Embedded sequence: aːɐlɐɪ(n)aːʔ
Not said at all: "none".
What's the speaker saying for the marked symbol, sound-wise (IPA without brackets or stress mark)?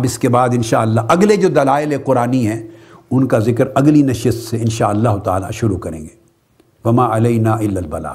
n